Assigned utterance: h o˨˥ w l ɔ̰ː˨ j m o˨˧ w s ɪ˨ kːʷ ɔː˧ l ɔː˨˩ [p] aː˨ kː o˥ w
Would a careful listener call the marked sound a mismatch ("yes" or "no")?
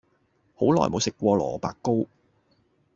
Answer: no